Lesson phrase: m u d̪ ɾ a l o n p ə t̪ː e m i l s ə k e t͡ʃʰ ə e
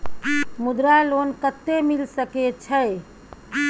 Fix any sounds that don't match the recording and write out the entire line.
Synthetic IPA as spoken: m u d̪ ɾ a l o n k ə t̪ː e m i l s ə k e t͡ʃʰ ə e